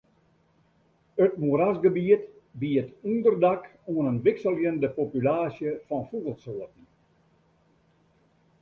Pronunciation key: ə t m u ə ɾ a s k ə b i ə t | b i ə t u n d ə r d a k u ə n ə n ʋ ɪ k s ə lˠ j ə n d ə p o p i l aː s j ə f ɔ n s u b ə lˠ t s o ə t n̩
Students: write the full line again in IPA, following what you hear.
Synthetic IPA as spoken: ə t m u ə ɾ a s ɡ ə b i ə t | b i ə t u n d ə r d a k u ə n ə n ʋ ɪ k s ə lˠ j ə n d ə p o p y l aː s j ə f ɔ n f u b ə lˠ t s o ə t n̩